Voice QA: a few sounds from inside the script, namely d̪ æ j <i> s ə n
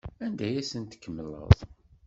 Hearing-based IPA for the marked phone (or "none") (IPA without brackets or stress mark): æ